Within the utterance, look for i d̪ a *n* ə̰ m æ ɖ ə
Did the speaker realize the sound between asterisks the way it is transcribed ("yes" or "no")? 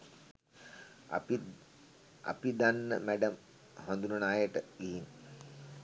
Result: no